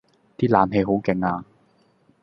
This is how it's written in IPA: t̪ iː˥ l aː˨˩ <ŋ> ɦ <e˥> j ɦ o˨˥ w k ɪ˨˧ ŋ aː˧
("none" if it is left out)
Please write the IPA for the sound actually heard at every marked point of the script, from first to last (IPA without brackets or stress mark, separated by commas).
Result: m, e˧